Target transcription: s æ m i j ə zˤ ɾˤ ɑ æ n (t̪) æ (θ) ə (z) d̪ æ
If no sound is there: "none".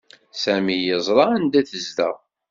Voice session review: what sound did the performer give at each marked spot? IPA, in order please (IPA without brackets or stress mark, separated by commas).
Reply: d̪, θ, z